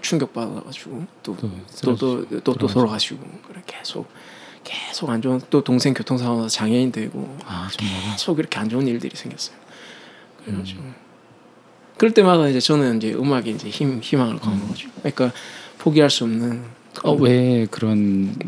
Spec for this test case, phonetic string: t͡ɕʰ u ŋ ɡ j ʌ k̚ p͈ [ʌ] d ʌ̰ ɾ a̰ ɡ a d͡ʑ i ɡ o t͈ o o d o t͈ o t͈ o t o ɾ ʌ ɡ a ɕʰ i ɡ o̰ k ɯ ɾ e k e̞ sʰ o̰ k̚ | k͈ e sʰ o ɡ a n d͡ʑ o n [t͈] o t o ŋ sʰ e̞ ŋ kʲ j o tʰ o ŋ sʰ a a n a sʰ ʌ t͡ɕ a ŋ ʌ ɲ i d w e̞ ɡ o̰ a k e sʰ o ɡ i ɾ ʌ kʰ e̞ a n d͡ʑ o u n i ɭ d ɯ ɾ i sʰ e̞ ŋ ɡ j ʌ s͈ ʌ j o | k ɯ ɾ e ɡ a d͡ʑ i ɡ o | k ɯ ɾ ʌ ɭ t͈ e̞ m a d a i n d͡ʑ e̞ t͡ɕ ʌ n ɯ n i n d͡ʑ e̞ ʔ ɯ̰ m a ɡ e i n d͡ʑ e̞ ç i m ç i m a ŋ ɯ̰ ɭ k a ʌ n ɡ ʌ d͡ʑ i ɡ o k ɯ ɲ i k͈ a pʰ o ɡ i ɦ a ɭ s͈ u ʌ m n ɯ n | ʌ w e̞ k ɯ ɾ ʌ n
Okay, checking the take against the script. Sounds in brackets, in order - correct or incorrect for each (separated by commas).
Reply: incorrect, correct